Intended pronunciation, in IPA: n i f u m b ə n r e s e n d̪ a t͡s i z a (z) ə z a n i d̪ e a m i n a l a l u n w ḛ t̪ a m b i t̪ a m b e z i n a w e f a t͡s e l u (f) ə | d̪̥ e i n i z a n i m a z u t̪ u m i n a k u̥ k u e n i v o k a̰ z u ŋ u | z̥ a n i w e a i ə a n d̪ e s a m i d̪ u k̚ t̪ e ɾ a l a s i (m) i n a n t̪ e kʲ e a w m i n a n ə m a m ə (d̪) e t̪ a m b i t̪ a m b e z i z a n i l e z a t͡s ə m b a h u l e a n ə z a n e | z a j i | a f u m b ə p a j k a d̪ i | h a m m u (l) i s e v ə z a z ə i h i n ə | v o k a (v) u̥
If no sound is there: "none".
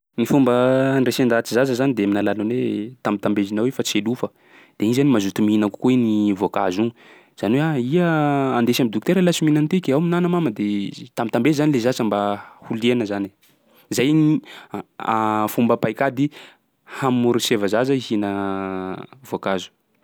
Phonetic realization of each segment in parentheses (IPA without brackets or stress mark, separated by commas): z, f, m, d̪, ɾ, z